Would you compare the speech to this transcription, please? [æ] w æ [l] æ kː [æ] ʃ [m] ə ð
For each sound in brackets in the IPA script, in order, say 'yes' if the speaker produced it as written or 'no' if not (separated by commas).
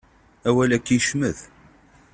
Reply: yes, yes, no, yes